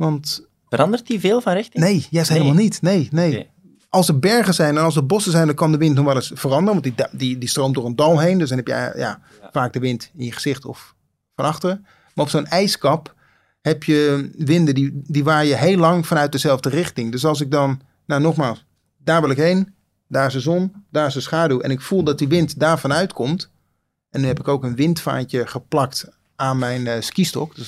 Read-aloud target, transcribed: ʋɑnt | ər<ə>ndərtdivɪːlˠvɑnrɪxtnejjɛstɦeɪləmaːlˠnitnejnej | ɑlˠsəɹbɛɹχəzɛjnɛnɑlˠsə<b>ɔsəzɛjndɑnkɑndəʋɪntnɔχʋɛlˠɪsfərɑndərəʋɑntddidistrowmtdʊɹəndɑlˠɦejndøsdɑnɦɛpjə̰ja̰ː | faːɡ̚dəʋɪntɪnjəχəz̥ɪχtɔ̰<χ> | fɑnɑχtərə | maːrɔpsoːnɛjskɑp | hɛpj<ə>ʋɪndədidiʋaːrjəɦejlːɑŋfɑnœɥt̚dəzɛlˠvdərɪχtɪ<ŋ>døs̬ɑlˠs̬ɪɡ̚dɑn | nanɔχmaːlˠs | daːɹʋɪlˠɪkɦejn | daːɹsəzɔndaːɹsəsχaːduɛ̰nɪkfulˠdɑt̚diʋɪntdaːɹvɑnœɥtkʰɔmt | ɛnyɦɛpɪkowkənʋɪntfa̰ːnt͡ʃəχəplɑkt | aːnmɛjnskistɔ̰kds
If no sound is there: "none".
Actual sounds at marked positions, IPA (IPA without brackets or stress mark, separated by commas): ɑ, b, f, ə, ŋ